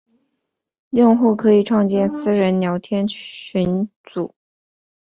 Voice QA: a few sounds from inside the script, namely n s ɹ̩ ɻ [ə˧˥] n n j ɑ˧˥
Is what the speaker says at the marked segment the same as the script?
yes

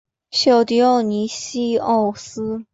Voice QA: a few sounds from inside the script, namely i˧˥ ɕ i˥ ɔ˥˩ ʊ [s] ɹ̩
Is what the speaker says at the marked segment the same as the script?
yes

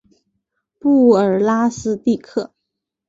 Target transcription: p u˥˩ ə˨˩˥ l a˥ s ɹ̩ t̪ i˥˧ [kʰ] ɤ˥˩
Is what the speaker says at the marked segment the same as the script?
yes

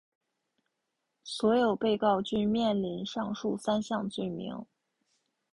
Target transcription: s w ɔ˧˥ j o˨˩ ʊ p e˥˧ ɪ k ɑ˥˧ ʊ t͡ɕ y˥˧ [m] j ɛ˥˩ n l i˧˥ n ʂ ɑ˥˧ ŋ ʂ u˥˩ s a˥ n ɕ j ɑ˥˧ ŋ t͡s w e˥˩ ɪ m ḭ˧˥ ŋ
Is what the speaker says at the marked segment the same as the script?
yes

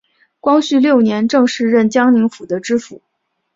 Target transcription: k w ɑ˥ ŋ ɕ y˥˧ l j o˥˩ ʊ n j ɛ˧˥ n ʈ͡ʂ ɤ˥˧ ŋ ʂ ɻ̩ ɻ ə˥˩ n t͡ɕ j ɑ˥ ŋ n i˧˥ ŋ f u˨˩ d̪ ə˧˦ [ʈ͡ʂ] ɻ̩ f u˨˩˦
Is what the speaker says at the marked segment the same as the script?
yes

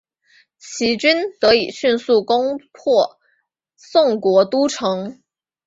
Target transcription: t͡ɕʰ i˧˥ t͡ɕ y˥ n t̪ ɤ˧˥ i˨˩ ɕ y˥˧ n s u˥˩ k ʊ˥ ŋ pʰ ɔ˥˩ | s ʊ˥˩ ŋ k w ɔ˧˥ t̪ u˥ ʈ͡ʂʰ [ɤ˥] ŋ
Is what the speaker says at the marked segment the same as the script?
no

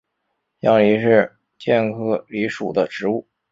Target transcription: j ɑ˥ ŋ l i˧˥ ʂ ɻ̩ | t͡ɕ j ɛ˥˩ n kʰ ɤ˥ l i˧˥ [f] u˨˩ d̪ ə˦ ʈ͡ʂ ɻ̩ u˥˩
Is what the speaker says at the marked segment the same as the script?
no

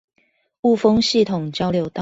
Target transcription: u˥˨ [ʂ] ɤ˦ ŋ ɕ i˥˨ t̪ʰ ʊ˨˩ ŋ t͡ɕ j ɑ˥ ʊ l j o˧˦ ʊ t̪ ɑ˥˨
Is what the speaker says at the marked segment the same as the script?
no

